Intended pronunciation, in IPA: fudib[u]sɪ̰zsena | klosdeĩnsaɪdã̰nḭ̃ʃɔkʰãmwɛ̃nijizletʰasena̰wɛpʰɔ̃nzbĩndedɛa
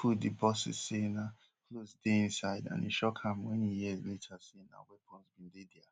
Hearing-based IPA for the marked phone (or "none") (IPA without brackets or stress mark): ɔ